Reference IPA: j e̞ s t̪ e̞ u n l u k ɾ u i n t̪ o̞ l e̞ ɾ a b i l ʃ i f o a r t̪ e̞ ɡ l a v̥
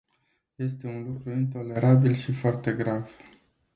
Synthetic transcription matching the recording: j e̞ s t̪ e̞ u n l u k ɾ u i n t̪ o̞ l e̞ ɾ a b i l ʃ i f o a r t̪ e̞ ɡ ɾ a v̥